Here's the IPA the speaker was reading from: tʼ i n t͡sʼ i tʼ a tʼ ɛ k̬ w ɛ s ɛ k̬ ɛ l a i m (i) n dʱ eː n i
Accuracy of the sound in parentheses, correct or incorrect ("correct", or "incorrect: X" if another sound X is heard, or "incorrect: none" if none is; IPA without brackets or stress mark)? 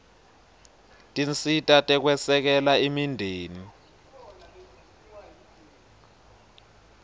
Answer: correct